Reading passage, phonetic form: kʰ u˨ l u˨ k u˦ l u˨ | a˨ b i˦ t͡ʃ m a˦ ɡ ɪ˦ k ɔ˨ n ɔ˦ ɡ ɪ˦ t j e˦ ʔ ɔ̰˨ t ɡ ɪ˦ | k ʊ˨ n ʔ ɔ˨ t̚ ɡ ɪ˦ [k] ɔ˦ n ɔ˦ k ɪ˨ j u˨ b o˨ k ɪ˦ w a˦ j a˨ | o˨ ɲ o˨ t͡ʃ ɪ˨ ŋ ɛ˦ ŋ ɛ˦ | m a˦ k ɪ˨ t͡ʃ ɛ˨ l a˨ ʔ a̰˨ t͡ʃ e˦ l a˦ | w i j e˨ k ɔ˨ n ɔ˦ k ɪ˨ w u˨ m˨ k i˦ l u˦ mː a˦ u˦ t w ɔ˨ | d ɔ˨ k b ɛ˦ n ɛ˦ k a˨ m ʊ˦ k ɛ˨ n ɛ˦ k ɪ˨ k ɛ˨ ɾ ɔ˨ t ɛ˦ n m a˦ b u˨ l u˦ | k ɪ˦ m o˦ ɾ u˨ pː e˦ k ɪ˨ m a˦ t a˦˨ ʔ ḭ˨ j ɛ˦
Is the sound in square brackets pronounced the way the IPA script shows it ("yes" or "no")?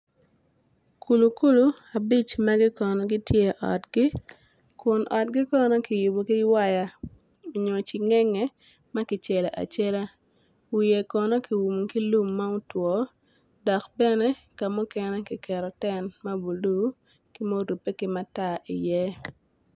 yes